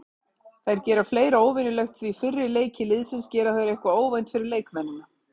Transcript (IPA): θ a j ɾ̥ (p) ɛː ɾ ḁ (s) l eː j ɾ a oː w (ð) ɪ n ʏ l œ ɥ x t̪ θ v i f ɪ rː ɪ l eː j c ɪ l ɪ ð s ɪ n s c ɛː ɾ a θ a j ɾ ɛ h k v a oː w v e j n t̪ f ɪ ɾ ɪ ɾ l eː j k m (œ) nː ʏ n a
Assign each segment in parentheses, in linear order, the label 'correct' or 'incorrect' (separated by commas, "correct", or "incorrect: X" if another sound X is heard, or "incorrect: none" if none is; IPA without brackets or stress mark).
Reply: incorrect: c, incorrect: f, incorrect: v, incorrect: ɛ